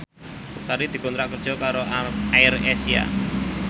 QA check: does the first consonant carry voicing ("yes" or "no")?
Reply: no